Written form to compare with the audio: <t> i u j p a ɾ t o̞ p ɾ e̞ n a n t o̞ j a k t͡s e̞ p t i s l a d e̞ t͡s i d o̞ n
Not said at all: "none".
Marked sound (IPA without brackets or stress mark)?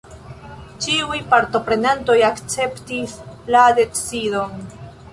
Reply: t͡ʃ